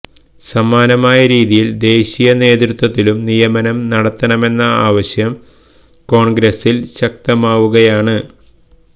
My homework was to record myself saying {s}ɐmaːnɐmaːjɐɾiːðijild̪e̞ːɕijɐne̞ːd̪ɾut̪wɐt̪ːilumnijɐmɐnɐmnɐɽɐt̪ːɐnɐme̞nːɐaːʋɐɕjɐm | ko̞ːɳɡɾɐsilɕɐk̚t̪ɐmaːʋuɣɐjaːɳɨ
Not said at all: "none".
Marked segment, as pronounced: s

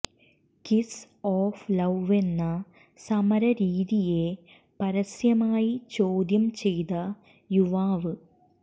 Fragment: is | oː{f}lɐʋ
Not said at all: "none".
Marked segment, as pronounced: f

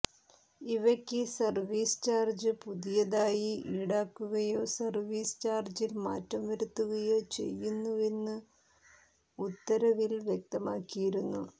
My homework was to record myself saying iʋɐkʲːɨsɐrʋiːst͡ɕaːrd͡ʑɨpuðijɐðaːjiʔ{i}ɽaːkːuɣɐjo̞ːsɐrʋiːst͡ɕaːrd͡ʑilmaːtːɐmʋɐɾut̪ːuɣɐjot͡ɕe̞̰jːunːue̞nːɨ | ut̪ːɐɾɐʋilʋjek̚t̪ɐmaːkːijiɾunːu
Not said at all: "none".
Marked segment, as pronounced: iː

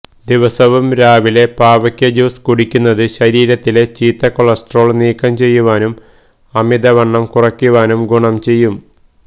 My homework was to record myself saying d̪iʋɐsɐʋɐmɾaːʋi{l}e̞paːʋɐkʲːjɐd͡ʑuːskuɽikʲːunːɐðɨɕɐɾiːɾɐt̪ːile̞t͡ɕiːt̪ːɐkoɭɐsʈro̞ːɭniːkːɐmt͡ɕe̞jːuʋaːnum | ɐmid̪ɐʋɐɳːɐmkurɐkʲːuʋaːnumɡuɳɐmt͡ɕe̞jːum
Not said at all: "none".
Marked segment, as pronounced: l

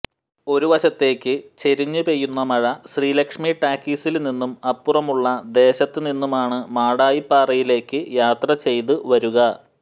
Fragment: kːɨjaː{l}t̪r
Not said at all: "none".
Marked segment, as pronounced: none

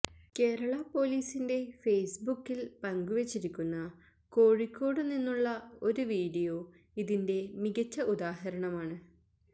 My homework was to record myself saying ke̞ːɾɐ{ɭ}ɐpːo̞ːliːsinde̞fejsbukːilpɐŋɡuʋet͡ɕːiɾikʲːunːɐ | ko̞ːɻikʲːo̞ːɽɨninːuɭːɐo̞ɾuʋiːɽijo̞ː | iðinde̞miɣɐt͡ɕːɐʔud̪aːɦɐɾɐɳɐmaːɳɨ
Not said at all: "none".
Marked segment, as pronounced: ɭ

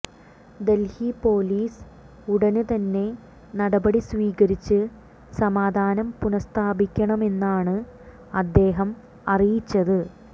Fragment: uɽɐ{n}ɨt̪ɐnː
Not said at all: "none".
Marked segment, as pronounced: n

